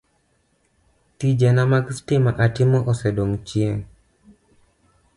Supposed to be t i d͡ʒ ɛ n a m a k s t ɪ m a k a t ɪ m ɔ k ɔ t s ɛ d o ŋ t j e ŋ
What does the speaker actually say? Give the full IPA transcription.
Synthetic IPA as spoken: t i d͡ʒ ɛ n a m a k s t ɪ m a ʔ a t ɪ m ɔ ʔ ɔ s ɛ d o ŋ t͡ʃ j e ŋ